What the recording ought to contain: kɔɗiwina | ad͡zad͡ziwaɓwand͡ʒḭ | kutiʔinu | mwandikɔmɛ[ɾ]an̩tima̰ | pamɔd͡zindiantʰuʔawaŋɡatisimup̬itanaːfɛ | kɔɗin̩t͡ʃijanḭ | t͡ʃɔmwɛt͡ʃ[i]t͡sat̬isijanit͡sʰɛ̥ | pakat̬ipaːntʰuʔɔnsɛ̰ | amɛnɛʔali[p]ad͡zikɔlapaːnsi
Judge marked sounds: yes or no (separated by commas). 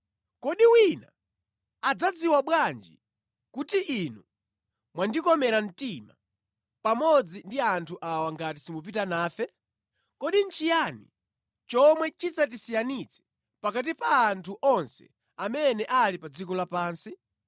yes, yes, yes